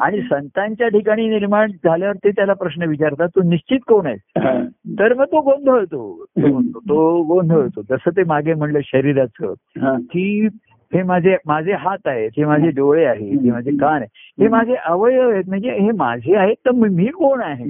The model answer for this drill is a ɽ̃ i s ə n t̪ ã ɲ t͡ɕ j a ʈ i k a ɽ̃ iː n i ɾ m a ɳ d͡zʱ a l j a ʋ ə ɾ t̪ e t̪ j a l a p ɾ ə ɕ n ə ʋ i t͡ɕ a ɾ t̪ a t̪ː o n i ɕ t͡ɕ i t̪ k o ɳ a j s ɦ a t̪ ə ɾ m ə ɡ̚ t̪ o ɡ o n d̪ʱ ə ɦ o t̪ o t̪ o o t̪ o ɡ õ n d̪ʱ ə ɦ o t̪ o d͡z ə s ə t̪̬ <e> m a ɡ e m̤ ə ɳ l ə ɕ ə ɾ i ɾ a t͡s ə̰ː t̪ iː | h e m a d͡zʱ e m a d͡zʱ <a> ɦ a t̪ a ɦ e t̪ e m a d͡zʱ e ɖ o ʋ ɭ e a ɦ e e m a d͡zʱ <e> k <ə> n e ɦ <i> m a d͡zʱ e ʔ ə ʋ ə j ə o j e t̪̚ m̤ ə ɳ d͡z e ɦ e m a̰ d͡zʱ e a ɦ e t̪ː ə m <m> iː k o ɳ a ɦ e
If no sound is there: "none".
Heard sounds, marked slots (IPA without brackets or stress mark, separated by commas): e, e, e, a, e, m